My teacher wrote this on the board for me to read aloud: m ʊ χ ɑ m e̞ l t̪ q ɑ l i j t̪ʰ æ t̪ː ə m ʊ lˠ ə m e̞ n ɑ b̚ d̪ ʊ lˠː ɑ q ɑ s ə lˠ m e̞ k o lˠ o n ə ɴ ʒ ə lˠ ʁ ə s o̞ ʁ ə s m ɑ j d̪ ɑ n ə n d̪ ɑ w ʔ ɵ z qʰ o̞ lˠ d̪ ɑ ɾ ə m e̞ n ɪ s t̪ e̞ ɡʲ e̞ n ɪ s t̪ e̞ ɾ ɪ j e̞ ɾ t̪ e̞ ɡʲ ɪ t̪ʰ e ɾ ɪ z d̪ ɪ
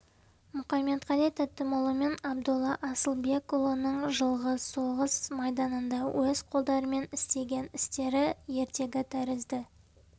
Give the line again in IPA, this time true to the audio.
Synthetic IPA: m ʊ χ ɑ m e̞ t̪ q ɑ l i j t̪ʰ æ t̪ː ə m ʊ lˠ ə m e̞ n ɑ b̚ d̪ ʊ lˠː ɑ ʔ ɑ s ə lˠ b e̞ k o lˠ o n ə ɴ ʒ ə lˠ ʁ ə s o̞ ʁ ə s m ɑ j d̪ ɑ n ə n d̪ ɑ w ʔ ɵ z qʰ o̞ lˠ d̪ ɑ ɾ ə m e̞ n ɪ s t̪ e̞ ɡʲ e̞ n ɪ s t̪ e̞ ɾ ɪ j e̞ ɾ t̪ e̞ ɡʲ ɪ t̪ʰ æ ɾ ɪ z d̪ ɪ